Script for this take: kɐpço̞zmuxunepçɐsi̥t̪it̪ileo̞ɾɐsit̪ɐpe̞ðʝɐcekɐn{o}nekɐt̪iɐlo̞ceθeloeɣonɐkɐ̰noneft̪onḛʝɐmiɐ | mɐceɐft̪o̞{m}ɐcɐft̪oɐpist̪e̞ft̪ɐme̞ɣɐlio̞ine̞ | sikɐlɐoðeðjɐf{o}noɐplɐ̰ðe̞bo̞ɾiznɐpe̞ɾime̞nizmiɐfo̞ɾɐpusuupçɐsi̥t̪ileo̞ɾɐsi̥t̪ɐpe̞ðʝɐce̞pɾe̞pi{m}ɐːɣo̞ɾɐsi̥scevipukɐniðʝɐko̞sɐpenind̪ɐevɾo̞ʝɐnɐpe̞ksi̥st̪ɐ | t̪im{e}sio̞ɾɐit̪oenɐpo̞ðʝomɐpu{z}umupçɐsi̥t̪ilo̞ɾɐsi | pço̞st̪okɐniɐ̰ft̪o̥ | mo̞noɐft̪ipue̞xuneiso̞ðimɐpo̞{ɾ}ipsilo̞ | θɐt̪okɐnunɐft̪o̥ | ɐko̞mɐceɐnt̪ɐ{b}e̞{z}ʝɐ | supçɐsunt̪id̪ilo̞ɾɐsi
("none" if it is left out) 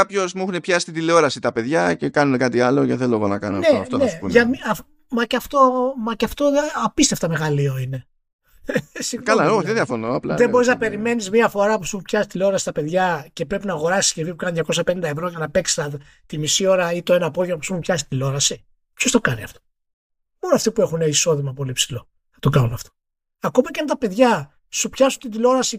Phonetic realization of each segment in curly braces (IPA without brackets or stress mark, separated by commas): u, m, o, n, i, s, l, p, ð